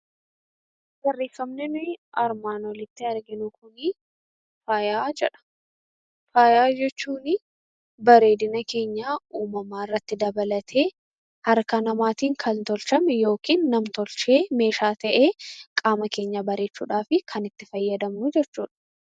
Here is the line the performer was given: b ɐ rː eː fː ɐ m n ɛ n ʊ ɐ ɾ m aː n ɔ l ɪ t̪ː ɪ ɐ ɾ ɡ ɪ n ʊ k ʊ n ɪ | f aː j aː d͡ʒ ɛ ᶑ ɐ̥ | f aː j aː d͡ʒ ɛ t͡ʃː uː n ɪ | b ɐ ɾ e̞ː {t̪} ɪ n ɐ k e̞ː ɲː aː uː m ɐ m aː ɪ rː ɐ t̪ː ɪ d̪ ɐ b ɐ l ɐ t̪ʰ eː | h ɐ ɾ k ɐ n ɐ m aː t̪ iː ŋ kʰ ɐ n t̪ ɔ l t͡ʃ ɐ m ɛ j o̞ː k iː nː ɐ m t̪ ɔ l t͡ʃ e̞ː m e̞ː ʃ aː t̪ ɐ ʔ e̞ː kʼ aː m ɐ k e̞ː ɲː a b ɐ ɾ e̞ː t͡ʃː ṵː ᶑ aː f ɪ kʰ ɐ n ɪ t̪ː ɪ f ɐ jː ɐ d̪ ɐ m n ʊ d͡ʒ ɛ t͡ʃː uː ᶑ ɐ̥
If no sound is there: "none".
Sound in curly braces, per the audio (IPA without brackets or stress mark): d̪